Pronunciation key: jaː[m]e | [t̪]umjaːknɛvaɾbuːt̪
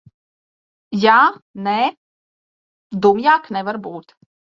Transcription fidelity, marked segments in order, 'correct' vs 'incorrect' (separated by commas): incorrect, incorrect